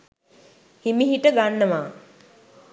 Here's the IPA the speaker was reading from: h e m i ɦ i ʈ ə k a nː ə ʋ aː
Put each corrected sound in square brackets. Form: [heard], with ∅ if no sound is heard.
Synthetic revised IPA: h [i] m i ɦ i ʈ ə [ɡ] a nː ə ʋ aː